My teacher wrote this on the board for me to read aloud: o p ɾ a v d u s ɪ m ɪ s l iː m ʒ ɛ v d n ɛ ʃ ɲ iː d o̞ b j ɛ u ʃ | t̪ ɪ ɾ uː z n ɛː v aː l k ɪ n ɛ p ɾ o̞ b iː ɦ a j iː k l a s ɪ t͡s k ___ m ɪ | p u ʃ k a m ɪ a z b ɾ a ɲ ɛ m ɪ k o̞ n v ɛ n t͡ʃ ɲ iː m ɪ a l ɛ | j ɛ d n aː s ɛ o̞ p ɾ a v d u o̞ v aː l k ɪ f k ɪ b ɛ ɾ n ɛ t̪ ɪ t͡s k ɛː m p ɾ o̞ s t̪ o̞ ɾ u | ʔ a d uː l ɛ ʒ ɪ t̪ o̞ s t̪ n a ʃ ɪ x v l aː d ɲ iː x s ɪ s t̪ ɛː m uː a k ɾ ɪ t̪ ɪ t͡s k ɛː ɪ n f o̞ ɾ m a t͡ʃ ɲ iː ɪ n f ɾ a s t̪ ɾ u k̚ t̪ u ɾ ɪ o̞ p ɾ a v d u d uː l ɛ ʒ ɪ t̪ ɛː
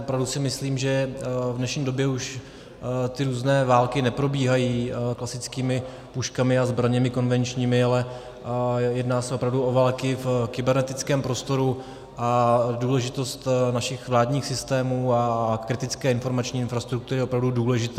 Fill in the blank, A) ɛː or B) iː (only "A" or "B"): B